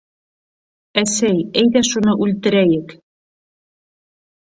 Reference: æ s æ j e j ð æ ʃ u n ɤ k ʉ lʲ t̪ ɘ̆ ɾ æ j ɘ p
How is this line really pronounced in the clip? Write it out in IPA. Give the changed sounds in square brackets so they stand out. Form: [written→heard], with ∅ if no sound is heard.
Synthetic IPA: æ s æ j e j ð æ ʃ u n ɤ [k→ʔ] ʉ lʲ t̪ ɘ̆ ɾ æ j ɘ [p→k]

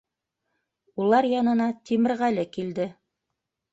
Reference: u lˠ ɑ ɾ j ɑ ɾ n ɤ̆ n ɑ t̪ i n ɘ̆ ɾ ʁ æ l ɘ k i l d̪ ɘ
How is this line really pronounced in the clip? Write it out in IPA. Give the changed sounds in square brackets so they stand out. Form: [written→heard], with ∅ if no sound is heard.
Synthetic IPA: u lˠ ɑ ɾ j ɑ [ɾ→∅] n ɤ̆ n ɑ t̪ i [n→m] ɘ̆ ɾ ʁ æ l ɘ k i l d̪ ɘ

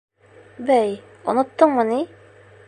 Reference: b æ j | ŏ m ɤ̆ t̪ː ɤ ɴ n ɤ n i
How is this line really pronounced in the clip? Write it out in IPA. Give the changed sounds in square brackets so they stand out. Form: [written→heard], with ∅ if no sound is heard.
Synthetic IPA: b æ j | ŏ [m→n] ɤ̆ t̪ː ɤ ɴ [n→m] ɤ n i

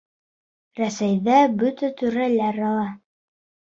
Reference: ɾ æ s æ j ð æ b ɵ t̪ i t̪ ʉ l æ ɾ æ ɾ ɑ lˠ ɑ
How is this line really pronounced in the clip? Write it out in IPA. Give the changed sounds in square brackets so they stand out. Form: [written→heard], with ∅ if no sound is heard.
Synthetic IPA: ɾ æ s æ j ð æ b ɵ t̪ [i→æ] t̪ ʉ [l→ɾ] æ [ɾ→l] æ ɾ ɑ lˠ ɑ

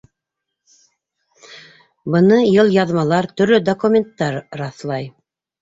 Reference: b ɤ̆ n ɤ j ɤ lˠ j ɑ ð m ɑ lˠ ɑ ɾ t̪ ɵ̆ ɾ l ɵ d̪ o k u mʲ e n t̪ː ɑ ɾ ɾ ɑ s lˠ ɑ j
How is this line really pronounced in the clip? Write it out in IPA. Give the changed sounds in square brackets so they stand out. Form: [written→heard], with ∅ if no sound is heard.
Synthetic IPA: b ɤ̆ n ɤ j ɤ lˠ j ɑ ð m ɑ lˠ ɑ ɾ t̪ ɵ̆ ɾ l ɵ d̪ o k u mʲ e n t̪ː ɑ ɾ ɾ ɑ [s→θ] lˠ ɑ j

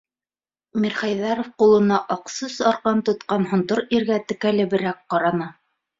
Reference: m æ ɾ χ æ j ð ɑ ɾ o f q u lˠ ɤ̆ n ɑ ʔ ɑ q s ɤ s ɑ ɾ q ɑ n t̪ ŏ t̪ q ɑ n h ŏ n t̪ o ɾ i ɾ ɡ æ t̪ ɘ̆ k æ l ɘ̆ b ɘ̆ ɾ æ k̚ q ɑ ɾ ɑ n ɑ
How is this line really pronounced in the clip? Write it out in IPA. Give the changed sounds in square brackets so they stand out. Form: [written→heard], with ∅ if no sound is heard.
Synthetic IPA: m [æ→i] ɾ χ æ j ð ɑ ɾ o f q u lˠ ɤ̆ n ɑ ʔ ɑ q s ɤ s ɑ ɾ q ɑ n t̪ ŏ t̪ q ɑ n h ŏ n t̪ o ɾ i ɾ ɡ æ t̪ ɘ̆ k æ l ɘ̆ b ɘ̆ ɾ æ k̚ q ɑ ɾ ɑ n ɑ

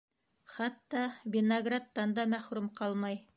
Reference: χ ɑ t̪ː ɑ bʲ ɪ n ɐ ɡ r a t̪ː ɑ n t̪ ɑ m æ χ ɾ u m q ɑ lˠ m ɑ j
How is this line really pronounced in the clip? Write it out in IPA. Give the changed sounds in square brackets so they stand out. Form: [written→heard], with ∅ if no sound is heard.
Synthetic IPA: χ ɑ t̪ː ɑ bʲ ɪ n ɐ ɡ r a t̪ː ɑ n [t̪→d̪] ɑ m æ χ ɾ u m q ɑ lˠ m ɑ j

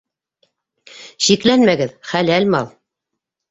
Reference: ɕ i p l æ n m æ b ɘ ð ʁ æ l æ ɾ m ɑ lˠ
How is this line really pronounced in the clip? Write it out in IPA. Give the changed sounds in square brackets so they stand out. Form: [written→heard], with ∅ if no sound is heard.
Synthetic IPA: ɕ i [p→k] l æ n m æ [b→ɡ] ɘ ð [ʁ→χ] æ l æ [ɾ→l] m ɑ lˠ

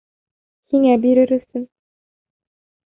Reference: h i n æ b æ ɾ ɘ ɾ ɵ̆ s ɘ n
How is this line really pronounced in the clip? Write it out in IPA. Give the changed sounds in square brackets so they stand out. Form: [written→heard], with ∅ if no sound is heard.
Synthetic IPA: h i [n→ŋ] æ b [æ→i] ɾ ɘ ɾ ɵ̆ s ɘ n

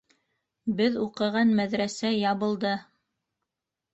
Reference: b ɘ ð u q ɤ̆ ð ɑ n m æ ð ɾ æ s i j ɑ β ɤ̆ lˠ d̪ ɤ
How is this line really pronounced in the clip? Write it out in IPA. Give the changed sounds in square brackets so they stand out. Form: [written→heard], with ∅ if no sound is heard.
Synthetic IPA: b ɘ ð u q ɤ̆ [ð→ʁ] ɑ n m æ ð ɾ æ s [i→æ] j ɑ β ɤ̆ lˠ d̪ ɤ

